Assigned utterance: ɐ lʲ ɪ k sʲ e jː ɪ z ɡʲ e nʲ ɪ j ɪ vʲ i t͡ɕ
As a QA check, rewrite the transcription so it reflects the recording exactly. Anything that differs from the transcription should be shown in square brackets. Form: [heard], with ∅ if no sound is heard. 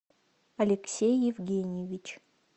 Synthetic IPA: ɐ lʲ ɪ k sʲ e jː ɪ [v] ɡʲ e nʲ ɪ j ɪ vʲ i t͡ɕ